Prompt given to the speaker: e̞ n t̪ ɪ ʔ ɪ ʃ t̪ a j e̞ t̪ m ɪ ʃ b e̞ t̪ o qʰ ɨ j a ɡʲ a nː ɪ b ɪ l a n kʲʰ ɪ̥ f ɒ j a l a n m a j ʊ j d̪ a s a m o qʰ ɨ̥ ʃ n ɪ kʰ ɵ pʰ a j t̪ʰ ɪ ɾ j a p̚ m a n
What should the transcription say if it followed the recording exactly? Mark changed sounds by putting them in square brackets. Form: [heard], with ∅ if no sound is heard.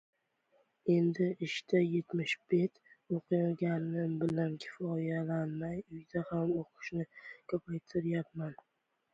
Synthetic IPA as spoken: e̞ n [d̪] ɪ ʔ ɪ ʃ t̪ a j e̞ t̪ m ɪ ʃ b e̞ t̪ o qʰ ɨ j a ɡʲ a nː ɪ b ɪ l a n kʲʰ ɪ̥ f ɒ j a l a n m a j ʊ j d̪ a [h] a m o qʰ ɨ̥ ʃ n ɪ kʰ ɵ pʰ a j t̪ʰ ɪ ɾ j a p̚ m a n